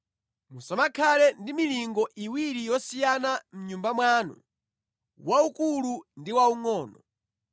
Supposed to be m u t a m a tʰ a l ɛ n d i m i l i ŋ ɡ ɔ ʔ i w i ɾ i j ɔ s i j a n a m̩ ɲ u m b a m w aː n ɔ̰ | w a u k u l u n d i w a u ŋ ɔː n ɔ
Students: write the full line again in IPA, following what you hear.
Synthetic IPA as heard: m u s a m a kʰ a l ɛ n d i m i l i ŋ ɡ ɔ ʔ i w i ɾ i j ɔ s i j a n a m̩ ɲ u m b a m w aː n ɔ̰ | w a u k u l u n d i w a u ŋ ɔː n ɔ

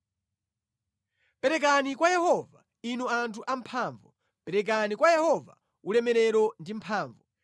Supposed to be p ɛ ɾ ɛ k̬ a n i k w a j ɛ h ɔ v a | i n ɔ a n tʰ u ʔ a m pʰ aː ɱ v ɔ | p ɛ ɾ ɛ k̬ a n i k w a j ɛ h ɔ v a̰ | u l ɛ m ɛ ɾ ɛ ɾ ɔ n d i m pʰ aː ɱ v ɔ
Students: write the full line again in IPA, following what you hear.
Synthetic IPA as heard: p ɛ ɾ ɛ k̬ a n i k w a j ɛ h ɔ v a | i n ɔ a n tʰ u ʔ a m pʰ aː ɱ v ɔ | p ɛ ɾ ɛ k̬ a n i k w a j ɛ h ɔ v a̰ | u l ɛ m ɛ ɾ ɛ ɾ ɔ n d i m pʰ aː ɱ v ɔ

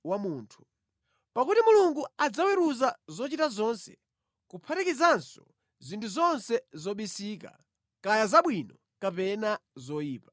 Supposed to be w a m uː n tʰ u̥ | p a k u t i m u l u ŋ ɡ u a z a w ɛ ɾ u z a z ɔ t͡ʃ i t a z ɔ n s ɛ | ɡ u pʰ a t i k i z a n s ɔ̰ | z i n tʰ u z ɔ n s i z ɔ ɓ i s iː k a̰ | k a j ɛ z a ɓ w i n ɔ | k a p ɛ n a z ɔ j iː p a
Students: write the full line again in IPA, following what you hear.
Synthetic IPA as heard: w a m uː n tʰ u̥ | p a k u t i m u l u ŋ ɡ u a d͡z a w ɛ ɾ u z a z ɔ t͡ʃ i t a z ɔ n s ɛ | k u pʰ a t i k i z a n s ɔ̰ | z i n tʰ u z ɔ n s ɛ z ɔ ɓ i s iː k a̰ | k a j a z a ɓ w i n ɔ | k a p ɛ n a z ɔ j iː p a

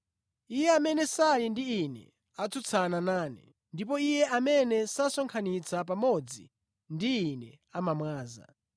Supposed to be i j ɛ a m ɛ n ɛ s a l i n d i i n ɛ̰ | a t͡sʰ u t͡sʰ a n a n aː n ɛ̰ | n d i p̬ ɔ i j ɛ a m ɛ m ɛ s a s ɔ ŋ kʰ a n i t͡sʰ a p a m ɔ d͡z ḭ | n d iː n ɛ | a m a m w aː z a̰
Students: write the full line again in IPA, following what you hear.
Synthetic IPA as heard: i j ɛ a m ɛ n ɛ s a l i n d i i n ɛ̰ | a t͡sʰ u t͡sʰ a n a n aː n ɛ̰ | n d i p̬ ɔ i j ɛ a m ɛ n ɛ s a s ɔ ŋ kʰ a n i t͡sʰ a p a m ɔ d͡z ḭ | n d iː n ɛ | a m a m w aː z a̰

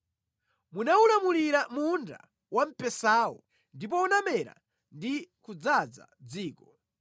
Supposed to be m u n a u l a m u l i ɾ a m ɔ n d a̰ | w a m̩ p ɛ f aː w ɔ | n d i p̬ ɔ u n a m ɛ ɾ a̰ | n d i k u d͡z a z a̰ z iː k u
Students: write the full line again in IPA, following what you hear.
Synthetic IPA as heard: m u n a u l a m u l i ɾ a m u n d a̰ | w a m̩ p ɛ s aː w ɔ | n d i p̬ ɔ u n a m ɛ ɾ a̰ | n d i k u d͡z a d͡z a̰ d͡z iː k ɔ

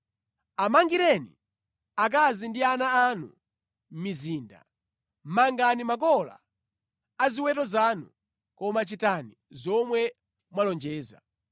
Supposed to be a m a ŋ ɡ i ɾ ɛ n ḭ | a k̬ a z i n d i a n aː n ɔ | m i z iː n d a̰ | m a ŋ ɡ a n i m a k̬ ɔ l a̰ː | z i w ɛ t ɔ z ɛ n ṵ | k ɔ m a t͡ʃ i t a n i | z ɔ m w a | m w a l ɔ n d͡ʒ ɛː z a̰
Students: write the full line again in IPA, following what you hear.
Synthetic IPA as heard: a m a ŋ ɡ i ɾ ɛ n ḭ | a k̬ a z i n d i a n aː n u | m i z iː n d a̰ | m a ŋ ɡ a n i m a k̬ ɔ l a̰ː | z i w ɛ t ɔ z a n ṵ | k ɔ m a t͡ʃ i t a n i | z ɔ m w ɛ | m w a l ɔ n d͡ʒ ɛː z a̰

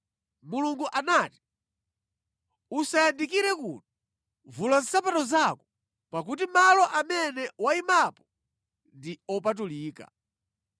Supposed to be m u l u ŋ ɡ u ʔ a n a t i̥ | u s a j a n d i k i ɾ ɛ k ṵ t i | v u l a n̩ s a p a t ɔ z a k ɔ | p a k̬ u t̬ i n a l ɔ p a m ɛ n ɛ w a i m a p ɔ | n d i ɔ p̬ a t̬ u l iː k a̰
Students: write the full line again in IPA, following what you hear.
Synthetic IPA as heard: m u l u ŋ ɡ u ʔ a n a t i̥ | u s a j a n d i k i ɾ ɛ k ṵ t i | v u l a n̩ s a p a t ɔ z a k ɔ | p a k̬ u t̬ i m a l ɔ ʔ a m ɛ n ɛ w a i m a p ɔ | n d i ɔ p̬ a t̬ u l iː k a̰

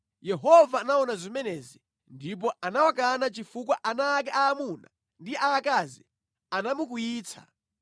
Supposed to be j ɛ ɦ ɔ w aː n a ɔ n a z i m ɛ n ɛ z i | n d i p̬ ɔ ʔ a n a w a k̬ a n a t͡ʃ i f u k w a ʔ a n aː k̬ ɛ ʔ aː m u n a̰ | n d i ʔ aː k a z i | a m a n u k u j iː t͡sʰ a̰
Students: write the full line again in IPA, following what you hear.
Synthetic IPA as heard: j ɛ ɦ ɔ v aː n a ɔ n a z i m ɛ n ɛ z i | n d i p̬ ɔ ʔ a n a w a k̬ a n a t͡ʃ i f u k w a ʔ a n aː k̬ ɛ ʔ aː m u n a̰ | n d i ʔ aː k a z i | a n a m u k u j iː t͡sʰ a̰

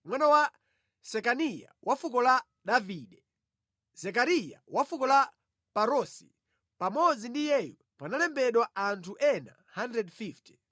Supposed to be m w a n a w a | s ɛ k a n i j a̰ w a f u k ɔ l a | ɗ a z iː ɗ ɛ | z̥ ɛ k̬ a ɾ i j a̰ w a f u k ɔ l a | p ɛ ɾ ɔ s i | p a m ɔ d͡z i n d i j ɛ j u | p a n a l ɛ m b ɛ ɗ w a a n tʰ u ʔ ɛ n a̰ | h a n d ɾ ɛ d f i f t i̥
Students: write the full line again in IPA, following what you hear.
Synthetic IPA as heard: m w a n a w a | s ɛ k a n i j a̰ w a f u k ɔ l a | ɗ a v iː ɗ ɛ | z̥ ɛ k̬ a ɾ i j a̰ w a f u k ɔ l a | p a ɾ ɔ s i | p a m ɔ d͡z i n d i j ɛ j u | p a n a l ɛ m b ɛ ɗ w a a n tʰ u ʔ ɛ n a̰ | h a n d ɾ ɛ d f i f t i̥

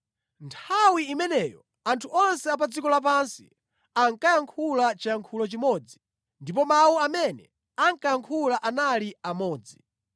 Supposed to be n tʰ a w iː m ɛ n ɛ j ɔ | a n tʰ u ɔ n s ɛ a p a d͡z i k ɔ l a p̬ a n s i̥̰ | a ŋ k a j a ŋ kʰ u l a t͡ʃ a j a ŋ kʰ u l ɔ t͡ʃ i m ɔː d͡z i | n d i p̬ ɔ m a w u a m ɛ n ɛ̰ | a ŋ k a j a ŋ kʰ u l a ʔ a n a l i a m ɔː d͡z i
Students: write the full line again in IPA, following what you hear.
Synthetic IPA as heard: n tʰ a w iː m ɛ n ɛ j ɔ | a n tʰ u ɔ n s ɛ a p a d͡z i k ɔ l a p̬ a n s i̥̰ | a ŋ k a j a ŋ kʰ u l a t͡ʃ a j a ŋ kʰ u l ɔ t͡ʃ i m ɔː d͡z i | n d i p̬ ɔ m a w u a m ɛ n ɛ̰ | a ŋ k a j a ŋ kʰ u l a ʔ a n a l i a m ɔː d͡z i

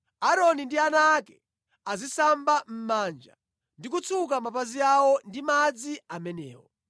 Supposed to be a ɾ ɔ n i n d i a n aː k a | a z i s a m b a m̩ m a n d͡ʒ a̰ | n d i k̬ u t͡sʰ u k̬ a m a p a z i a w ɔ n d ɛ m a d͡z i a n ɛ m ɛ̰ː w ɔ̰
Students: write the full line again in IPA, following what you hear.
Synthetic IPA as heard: a ɾ ɔ n i n d i a n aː k ɛ | a z i s a m b a m̩ m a n d͡ʒ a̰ | n d i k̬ u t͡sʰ u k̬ a m a p a z i a w ɔ n d i m a d͡z i a m ɛ n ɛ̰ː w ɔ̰

